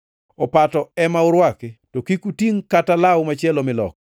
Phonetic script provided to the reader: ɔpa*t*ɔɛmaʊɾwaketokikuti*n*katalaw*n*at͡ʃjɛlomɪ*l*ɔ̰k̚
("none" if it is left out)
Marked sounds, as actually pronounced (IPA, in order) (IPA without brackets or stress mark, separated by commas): t, ŋ, m, l